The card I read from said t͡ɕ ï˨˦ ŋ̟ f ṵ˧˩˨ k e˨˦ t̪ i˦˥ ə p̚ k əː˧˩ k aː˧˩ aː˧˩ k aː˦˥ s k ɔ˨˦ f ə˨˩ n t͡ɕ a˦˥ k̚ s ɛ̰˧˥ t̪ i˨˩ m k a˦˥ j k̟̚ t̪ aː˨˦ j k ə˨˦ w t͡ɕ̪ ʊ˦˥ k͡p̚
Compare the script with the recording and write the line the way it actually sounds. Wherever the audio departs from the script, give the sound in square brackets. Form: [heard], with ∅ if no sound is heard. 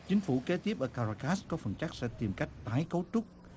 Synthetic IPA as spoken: t͡ɕ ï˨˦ ŋ̟ f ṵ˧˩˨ k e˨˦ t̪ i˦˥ ə p̚ [ʔ] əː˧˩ k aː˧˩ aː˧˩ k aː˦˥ s k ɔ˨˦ f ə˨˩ n t͡ɕ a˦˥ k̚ s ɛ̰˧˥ t̪ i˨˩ m k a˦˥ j k̟̚ t̪ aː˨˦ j k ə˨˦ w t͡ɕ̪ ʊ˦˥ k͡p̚